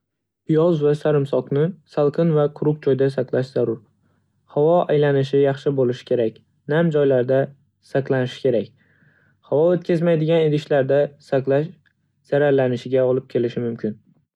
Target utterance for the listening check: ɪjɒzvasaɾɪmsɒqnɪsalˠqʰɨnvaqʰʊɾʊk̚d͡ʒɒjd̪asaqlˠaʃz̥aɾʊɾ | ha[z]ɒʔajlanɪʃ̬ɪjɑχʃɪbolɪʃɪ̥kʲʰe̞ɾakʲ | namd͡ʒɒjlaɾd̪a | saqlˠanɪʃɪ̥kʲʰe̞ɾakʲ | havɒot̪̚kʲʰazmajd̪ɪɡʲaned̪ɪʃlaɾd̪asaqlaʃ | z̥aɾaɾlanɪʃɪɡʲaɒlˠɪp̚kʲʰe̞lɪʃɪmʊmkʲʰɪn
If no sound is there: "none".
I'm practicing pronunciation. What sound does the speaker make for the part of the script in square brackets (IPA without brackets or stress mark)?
v